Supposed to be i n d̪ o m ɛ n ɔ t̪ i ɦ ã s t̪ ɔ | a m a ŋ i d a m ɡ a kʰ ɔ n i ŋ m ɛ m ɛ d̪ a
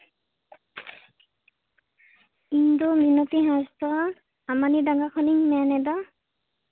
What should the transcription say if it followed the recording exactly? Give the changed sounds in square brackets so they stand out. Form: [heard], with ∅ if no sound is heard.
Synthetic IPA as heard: i n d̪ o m [i] n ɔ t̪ i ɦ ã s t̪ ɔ | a m a [n] i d a [ŋ] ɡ a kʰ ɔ n i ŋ m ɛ [n] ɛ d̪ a